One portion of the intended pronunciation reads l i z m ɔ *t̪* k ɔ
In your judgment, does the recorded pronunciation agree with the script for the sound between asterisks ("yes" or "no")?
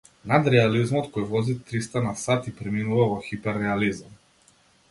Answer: yes